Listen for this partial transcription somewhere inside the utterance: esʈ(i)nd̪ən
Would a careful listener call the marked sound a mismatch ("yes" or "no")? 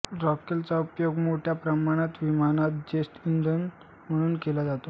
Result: no